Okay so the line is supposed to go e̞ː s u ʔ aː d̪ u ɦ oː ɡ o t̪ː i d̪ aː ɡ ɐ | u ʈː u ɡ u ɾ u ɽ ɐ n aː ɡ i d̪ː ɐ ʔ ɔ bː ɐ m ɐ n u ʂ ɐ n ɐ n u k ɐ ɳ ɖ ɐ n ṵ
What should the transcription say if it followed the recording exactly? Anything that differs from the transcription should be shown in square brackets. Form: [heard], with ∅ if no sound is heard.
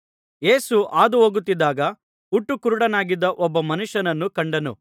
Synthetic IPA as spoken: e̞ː s u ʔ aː d̪ u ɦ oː ɡ [u] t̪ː i d̪ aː ɡ ɐ | u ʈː u [k] u ɾ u ɽ ɐ n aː ɡ i d̪ː ɐ ʔ ɔ bː ɐ m ɐ n u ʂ ɐ n ɐ [nː] u k ɐ ɳ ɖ ɐ n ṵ